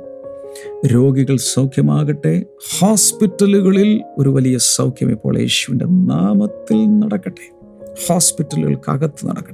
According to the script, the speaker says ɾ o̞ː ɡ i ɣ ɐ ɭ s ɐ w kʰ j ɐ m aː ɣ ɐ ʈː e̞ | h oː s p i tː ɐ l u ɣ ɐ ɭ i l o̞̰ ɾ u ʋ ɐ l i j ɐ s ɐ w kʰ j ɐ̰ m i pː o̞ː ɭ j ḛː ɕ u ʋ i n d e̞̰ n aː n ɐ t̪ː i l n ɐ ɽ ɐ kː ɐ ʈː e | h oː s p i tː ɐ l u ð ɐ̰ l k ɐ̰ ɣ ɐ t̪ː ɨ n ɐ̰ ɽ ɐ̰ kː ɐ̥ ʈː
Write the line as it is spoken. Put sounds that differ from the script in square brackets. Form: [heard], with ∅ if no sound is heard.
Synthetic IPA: ɾ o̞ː ɡ i ɣ ɐ ɭ s ɐ w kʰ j ɐ m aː ɣ ɐ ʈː e̞ | h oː s p i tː ɐ l u ɣ ɐ ɭ i l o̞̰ ɾ u ʋ ɐ l i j ɐ s ɐ w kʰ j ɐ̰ m i pː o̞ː ɭ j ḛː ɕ u ʋ i n d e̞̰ n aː [m] ɐ t̪ː i l n ɐ ɽ ɐ kː ɐ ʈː e | h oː s p i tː ɐ l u [ɣ] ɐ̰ [ɭ] k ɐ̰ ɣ ɐ t̪ː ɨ n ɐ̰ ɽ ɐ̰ kː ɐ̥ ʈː